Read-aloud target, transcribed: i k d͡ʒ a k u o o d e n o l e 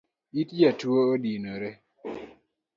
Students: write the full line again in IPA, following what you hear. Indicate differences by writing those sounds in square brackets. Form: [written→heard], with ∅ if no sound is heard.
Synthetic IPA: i [k→t] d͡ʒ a [k→t] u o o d [e→i] n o [l→ɾ] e